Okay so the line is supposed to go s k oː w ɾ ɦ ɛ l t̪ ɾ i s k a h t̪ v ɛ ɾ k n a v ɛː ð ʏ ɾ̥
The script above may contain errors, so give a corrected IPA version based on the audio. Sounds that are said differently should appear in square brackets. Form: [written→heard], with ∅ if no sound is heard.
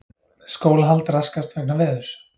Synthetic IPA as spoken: s k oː w [ɾ→l] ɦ [ɛ→a] l t̪ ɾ [i→a] s k a [h→s] t̪ v ɛ [ɾ→∅] k n a v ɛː ð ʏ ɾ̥